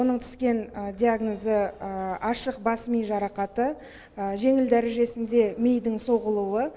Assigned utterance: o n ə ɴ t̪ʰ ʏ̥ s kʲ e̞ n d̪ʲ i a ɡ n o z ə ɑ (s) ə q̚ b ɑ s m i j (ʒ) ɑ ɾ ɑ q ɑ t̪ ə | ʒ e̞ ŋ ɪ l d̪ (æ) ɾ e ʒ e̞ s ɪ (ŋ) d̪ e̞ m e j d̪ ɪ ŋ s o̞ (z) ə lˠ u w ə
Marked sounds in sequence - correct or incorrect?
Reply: incorrect: ʃ, correct, correct, incorrect: n, incorrect: ʁ

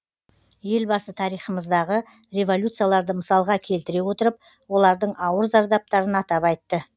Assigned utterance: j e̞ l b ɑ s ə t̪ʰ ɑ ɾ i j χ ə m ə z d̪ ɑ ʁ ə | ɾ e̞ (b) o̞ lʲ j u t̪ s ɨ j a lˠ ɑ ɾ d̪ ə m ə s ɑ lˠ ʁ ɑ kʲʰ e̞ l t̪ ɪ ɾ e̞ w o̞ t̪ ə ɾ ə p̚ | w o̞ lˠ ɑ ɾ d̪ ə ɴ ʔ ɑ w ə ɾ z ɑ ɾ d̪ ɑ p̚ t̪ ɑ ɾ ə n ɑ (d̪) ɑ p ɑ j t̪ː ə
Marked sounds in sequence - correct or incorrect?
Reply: incorrect: v, incorrect: t̪

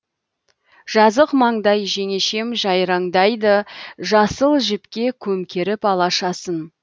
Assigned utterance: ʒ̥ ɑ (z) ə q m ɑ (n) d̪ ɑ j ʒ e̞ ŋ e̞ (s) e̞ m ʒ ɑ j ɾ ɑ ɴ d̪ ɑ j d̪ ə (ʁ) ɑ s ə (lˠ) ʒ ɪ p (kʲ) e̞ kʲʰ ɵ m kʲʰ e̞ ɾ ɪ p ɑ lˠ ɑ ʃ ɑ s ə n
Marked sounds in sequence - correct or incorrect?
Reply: correct, incorrect: ɴ, incorrect: ʃ, incorrect: ʒ, correct, correct

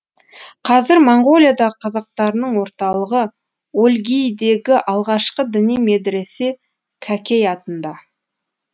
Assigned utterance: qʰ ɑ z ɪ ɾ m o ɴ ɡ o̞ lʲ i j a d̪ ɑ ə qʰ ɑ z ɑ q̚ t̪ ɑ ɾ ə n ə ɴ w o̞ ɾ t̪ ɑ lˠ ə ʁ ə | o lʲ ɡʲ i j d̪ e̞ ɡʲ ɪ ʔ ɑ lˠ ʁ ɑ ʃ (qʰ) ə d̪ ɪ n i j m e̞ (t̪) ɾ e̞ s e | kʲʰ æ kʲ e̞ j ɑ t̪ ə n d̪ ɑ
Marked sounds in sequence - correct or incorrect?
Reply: incorrect: q, incorrect: d̪

